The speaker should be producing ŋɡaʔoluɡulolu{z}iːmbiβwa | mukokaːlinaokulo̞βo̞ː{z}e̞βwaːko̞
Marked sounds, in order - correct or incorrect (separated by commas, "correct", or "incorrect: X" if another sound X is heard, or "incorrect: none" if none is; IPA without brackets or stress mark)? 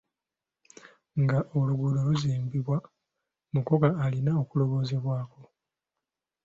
correct, correct